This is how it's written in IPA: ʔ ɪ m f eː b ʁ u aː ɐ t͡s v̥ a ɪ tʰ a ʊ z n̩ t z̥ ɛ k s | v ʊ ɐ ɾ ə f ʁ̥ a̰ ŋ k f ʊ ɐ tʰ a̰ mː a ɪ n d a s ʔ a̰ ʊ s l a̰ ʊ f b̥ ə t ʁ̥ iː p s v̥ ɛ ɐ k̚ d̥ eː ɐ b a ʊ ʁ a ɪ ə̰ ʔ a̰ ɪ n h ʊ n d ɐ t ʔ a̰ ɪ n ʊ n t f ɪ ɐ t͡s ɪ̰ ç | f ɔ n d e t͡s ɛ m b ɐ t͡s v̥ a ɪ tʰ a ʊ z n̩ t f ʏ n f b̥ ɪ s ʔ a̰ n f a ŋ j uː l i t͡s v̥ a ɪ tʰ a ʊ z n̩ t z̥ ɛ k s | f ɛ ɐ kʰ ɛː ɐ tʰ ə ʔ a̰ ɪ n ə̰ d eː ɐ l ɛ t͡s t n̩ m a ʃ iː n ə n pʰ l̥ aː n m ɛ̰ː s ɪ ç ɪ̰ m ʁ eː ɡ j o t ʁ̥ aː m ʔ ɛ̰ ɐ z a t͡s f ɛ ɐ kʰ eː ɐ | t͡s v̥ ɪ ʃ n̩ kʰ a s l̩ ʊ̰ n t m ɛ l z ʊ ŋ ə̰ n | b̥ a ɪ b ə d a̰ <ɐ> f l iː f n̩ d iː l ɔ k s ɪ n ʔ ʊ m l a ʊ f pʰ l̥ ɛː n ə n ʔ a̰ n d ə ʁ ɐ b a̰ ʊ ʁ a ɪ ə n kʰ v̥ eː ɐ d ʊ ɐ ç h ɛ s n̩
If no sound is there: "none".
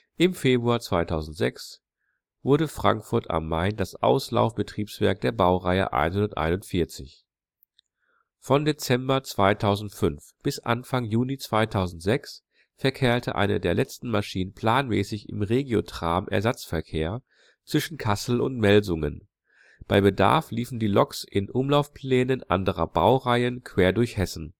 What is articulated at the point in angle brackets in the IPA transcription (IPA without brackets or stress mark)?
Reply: ɐ